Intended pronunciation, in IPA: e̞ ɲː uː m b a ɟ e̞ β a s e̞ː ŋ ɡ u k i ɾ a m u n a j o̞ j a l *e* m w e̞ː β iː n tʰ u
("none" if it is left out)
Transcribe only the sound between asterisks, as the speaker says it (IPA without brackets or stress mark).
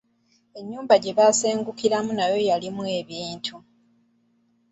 i